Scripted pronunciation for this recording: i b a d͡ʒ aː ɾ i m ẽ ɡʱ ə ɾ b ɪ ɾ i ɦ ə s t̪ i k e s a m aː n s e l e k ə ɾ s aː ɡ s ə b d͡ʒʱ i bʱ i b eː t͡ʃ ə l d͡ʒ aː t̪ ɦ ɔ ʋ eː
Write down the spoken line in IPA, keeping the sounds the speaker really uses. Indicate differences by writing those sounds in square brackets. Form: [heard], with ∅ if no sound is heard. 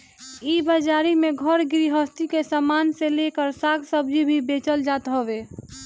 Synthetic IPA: i b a d͡ʒ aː ɾ i m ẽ ɡʱ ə ɾ [ɡ] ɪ ɾ i ɦ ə s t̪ i k e s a m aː n s e l e k ə ɾ s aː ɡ s ə b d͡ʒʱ i bʱ i b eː t͡ʃ ə l d͡ʒ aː t̪ ɦ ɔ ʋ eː